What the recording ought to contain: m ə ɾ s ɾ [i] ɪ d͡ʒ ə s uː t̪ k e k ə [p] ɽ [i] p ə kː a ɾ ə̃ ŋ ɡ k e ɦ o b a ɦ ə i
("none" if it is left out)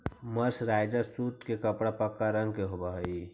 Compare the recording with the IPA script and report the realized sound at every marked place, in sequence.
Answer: a, p, a

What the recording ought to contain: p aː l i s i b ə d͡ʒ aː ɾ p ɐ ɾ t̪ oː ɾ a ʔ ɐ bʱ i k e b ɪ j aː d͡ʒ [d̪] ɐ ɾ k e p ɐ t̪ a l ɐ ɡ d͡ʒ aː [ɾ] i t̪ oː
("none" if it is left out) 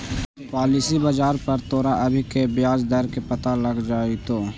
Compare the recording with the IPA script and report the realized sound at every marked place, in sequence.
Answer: d̪, none

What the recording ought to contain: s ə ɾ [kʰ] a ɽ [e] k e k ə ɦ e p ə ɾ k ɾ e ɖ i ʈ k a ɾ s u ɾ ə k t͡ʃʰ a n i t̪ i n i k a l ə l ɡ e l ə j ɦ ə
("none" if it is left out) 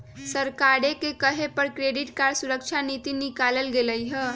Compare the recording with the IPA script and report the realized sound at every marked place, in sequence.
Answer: k, e

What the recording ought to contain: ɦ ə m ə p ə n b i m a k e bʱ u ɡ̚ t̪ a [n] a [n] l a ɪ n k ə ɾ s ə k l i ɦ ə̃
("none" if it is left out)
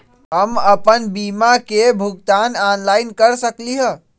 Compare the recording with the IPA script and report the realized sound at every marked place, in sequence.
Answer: n, n

